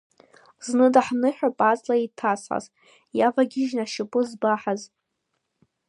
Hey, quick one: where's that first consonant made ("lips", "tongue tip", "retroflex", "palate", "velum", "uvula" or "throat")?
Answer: tongue tip